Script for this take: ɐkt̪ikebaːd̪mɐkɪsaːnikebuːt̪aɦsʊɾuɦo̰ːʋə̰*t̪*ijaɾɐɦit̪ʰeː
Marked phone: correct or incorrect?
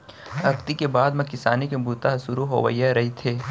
incorrect